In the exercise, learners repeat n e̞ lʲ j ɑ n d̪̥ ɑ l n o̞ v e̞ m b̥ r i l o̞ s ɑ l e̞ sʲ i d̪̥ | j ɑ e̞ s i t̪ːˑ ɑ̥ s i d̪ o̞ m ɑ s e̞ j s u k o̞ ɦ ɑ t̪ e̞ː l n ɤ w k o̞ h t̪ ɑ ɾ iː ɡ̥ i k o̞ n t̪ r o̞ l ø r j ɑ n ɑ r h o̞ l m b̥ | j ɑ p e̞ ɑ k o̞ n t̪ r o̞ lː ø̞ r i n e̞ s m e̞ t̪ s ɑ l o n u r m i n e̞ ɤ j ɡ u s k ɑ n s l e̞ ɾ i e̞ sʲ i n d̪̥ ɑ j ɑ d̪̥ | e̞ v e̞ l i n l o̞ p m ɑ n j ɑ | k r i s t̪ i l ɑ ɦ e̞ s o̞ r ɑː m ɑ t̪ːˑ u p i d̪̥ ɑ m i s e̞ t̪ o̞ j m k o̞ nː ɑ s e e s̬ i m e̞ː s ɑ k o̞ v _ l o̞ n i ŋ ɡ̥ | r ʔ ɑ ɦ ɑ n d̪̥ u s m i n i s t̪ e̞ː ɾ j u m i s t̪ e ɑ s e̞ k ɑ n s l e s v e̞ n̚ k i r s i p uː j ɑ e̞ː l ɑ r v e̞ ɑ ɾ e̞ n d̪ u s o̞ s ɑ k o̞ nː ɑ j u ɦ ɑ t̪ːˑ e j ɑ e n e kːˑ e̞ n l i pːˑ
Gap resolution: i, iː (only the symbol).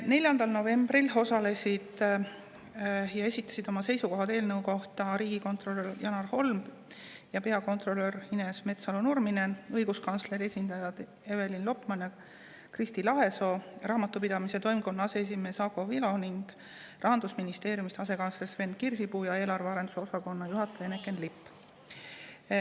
i